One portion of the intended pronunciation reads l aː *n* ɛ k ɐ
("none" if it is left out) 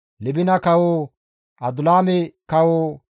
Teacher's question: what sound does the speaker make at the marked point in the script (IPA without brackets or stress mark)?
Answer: m